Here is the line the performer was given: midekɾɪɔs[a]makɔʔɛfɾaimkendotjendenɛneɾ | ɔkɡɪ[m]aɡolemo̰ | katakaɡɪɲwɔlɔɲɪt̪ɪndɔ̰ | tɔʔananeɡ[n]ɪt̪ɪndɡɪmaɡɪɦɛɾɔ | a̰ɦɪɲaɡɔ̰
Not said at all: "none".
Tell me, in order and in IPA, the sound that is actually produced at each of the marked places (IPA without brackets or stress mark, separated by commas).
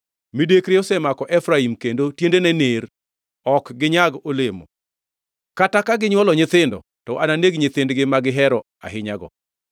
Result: ɛ, ɲ, ɲ